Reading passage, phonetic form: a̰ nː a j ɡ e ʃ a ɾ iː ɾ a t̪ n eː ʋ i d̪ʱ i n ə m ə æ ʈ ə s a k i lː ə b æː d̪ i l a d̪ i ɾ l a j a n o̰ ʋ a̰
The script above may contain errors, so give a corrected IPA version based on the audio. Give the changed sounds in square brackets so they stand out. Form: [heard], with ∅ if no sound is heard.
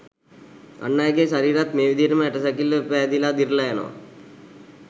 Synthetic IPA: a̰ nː a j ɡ e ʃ a ɾ iː ɾ a t̪ [m] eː ʋ i d̪ʱ i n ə m ə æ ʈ ə s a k i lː ə [p] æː d̪ i l a d̪ i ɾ l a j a n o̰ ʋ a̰